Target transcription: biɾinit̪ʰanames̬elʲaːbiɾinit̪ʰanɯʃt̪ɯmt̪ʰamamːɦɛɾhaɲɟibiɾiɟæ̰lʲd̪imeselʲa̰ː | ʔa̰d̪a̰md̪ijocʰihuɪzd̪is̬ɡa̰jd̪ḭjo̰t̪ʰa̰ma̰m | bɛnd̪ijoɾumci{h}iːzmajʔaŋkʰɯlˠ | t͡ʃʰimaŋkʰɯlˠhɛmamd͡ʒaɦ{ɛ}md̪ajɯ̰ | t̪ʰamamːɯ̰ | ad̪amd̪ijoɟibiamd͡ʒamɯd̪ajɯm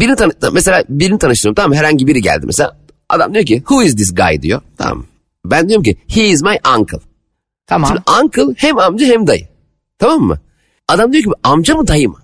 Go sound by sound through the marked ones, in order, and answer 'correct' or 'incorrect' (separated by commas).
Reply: correct, correct